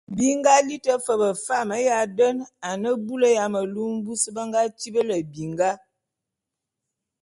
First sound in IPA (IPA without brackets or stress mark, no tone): b